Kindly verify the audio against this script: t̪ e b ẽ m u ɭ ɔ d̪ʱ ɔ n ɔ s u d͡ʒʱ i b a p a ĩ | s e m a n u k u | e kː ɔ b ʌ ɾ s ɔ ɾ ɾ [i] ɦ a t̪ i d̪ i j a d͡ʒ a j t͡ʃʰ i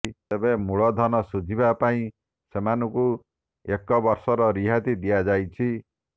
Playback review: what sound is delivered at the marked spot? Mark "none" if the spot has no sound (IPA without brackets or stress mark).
i